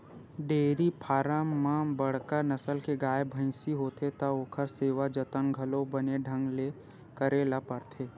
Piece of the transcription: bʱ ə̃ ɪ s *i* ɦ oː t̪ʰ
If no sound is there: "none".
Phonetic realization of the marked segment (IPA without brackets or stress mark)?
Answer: i